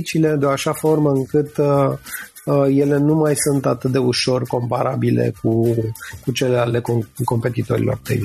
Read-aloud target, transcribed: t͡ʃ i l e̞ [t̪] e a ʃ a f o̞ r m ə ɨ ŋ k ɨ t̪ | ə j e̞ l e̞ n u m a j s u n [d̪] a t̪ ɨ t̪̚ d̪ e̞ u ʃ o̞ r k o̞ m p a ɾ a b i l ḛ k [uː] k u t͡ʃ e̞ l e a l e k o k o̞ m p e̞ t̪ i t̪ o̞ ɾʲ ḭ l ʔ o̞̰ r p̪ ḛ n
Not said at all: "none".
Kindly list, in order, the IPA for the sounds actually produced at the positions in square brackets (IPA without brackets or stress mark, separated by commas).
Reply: d̪, t̪, u